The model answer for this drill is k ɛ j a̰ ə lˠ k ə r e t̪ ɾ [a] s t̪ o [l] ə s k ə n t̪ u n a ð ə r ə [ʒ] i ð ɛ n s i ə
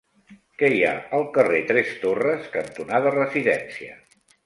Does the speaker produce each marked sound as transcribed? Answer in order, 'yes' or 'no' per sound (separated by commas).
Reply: no, no, no